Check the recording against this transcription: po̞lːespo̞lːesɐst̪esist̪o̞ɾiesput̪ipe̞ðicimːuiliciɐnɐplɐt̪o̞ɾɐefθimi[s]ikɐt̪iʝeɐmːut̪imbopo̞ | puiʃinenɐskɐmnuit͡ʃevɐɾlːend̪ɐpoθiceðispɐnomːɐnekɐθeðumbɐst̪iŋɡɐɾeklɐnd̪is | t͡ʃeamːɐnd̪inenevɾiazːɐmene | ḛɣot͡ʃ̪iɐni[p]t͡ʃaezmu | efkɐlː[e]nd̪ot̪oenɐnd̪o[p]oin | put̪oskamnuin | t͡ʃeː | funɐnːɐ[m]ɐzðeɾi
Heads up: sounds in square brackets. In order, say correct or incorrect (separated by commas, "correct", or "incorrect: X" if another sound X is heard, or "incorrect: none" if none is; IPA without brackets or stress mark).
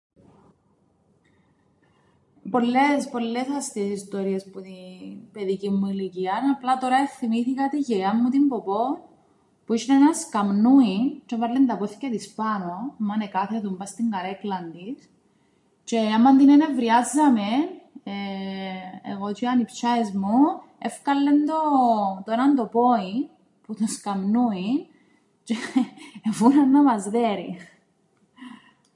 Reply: incorrect: θ, correct, correct, correct, correct